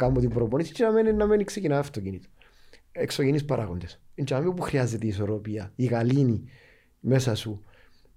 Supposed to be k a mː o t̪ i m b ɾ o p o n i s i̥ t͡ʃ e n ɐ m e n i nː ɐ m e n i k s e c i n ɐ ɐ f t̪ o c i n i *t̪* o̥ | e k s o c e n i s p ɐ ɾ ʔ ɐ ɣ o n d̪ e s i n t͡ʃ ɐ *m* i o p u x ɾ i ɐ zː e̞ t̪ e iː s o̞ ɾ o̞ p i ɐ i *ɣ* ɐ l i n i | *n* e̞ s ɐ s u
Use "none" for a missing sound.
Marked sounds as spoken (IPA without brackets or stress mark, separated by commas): t̪, m, ɣ, m